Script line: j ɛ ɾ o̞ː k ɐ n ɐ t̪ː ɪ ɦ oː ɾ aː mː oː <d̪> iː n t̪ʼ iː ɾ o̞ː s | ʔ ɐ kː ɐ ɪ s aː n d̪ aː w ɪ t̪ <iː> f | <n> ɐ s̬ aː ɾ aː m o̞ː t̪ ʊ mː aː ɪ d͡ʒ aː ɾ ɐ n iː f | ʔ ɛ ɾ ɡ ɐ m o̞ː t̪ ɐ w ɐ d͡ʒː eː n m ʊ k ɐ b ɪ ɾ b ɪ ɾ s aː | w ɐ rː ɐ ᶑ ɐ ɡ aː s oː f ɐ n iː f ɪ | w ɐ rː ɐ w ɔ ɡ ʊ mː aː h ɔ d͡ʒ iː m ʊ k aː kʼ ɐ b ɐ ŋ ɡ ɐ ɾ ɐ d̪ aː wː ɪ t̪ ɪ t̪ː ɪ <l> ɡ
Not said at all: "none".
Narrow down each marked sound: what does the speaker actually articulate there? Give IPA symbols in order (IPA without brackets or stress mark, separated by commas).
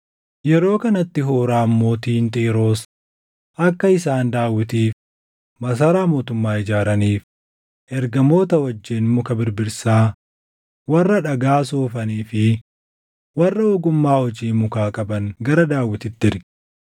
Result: t̪, iː, m, ɾ